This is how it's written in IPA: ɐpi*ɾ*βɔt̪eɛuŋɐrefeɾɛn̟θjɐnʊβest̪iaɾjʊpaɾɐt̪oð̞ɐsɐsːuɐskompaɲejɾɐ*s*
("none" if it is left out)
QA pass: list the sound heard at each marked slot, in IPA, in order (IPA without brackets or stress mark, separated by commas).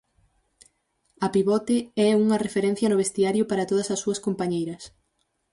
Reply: none, s